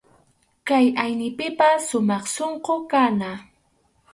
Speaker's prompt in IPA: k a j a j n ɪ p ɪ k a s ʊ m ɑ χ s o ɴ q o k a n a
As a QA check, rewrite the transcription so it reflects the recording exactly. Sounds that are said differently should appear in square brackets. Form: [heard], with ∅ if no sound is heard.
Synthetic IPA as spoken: k a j a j n ɪ p ɪ [p] a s ʊ m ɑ χ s o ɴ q o k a n a